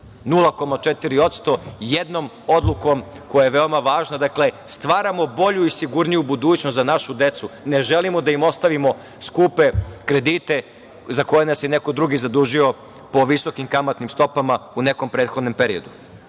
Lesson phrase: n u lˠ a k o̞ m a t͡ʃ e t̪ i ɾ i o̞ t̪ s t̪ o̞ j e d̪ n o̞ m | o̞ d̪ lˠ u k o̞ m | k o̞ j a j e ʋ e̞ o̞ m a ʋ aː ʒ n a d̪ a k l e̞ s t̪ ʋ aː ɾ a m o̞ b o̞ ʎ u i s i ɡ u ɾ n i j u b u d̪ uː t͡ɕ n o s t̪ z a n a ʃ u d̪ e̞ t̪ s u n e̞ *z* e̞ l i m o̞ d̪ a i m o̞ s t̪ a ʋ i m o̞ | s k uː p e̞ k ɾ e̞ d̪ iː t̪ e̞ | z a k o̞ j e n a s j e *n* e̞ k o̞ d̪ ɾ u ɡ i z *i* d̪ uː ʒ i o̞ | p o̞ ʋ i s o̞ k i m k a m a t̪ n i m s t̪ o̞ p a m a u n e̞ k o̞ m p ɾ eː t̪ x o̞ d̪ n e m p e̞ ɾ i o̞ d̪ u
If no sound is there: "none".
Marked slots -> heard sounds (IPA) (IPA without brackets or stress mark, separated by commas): ʒ, n, a